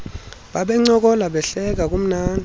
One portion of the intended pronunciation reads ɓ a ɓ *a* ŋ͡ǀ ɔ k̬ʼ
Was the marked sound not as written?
yes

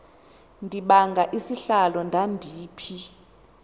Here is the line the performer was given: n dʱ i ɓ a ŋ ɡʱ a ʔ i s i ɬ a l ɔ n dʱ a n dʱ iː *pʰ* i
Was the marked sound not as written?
no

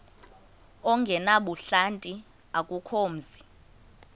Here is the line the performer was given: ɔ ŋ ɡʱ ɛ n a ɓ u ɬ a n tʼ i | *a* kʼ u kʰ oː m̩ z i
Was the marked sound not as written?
no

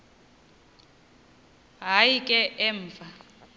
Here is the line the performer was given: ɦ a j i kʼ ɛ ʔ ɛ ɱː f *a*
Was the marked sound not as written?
no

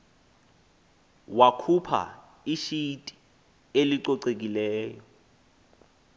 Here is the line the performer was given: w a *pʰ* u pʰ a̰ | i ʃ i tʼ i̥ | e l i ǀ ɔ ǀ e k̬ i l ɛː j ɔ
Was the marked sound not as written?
yes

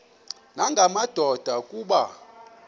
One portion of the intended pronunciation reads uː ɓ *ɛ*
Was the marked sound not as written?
yes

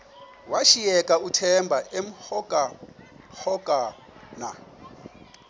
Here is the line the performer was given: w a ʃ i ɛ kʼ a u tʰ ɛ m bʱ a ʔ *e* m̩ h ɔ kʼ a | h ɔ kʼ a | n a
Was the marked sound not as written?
no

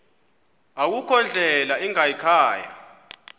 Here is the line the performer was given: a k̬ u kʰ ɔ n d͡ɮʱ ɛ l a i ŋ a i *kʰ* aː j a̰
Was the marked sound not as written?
no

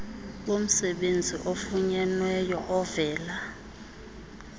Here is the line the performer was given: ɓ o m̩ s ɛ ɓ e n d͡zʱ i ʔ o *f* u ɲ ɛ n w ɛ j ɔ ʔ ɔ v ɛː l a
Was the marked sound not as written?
no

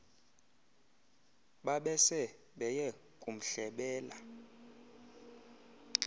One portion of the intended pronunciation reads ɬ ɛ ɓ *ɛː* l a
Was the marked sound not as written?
no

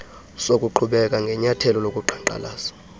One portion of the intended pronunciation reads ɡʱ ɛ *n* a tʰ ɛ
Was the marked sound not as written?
yes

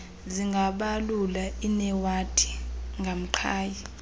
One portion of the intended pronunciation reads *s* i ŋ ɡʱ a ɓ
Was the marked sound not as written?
yes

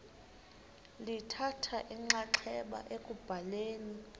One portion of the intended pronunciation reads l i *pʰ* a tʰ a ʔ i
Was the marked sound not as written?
yes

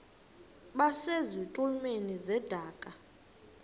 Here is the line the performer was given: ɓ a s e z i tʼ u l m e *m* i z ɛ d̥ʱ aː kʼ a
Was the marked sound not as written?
yes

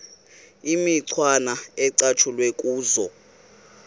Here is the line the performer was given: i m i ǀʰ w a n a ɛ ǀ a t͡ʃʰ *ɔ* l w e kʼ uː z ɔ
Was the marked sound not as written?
yes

